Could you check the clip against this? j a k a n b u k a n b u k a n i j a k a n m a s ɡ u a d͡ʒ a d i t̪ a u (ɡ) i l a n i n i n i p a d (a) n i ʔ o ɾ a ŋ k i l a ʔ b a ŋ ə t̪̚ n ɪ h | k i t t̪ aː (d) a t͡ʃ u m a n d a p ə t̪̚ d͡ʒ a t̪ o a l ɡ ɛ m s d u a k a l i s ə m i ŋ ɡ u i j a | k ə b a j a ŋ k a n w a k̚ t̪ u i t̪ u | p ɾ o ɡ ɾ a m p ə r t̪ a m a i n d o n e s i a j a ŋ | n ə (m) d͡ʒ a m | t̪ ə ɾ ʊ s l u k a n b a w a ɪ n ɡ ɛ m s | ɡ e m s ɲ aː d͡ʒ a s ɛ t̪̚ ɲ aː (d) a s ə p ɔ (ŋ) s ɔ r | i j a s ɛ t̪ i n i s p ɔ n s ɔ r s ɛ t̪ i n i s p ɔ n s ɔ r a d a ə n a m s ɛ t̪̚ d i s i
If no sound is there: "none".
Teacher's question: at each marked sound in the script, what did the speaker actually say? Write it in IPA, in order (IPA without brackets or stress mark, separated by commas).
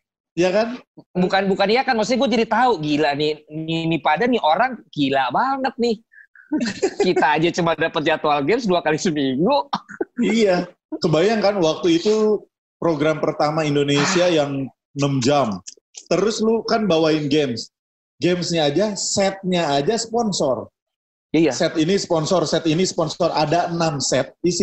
ɡ, a, d͡ʒ, m, d͡ʒ, n